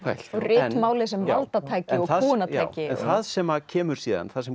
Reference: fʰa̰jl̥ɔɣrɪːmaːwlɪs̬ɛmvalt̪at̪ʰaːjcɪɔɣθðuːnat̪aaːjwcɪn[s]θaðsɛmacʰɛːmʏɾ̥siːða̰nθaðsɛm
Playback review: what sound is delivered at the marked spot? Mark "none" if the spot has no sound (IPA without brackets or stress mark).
θ